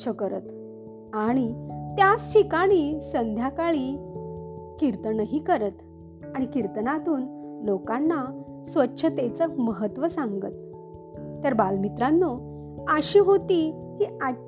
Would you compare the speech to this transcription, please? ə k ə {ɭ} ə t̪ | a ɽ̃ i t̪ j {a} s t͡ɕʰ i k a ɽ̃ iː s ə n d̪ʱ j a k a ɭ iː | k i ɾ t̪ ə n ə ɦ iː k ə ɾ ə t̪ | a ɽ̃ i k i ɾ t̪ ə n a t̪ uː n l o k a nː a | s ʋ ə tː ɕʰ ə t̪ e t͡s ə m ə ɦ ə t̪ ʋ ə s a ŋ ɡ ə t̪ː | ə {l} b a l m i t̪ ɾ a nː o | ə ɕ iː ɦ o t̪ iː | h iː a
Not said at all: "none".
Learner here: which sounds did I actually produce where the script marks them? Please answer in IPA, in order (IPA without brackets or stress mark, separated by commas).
ɾ, a, ɾ